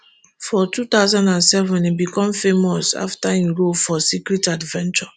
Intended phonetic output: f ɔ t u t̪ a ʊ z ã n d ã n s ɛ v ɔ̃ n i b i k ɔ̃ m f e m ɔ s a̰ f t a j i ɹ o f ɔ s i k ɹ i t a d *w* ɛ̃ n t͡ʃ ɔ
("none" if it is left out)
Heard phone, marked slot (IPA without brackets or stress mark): v